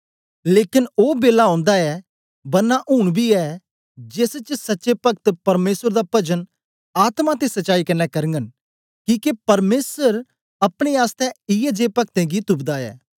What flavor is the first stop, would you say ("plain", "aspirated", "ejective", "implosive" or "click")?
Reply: plain